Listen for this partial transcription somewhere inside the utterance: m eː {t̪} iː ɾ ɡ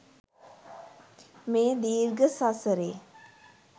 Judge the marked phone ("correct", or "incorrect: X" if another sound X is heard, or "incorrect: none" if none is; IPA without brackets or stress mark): incorrect: d̪